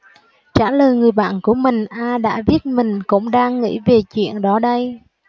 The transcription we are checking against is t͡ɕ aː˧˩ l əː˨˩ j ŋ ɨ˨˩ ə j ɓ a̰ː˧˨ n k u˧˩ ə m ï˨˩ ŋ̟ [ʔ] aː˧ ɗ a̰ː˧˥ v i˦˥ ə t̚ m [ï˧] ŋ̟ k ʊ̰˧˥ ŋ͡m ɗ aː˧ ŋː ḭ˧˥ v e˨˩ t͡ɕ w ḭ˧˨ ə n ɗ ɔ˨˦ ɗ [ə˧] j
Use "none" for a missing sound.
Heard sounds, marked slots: ʔ, ï˨˩, ə˧

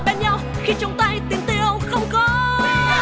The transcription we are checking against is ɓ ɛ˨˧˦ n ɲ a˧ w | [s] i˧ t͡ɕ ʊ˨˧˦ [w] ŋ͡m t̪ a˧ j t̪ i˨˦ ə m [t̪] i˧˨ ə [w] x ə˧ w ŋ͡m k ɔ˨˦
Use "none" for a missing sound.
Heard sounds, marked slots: x, w, t̪, w

